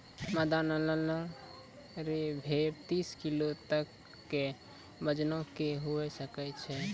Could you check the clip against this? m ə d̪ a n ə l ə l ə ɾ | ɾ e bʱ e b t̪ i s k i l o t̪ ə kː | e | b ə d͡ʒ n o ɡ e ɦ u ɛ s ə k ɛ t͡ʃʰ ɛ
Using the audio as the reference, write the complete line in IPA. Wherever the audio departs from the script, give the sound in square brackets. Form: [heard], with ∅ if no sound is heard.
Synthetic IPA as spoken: m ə d̪ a n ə l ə l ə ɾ | ɾ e bʱ e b t̪ i s k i l o t̪ ə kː | e | b ə d͡ʒ n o [k] e ɦ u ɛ s ə k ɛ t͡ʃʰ ɛ